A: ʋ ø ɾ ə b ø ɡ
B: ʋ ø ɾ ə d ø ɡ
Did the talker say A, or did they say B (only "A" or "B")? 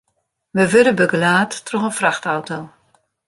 A